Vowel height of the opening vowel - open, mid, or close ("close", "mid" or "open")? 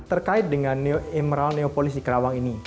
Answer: mid